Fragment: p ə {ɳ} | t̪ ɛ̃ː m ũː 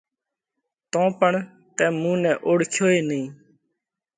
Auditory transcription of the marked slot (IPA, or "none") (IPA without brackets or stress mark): ɳ